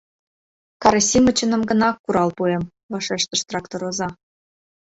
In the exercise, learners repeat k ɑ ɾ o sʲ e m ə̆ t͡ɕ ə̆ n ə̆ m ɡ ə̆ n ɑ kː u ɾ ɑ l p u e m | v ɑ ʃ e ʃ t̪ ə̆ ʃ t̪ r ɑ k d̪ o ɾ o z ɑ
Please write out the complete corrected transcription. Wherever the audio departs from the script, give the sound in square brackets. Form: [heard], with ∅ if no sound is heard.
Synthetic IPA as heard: k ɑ ɾ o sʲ [i] m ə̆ t͡ɕ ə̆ n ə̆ m ɡ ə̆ n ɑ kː u ɾ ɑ l p u e m | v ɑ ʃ e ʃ t̪ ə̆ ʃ t̪ r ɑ k [t̪] o ɾ o z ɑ